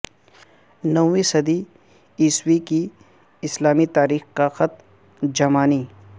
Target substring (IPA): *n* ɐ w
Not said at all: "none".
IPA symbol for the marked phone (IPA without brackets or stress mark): n